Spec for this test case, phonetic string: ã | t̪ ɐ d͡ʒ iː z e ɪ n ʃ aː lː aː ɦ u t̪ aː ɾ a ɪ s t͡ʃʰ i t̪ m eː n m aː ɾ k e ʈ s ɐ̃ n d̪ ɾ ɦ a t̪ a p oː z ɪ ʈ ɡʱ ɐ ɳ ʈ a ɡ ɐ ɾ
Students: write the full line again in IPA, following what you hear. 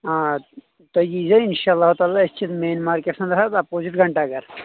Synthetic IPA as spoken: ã | t̪ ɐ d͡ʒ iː z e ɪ n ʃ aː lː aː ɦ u t̪ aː l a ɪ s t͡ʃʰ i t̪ m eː n m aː ɾ k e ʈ s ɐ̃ n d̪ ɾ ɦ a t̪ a p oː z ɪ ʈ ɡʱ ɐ ɳ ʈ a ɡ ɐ ɾ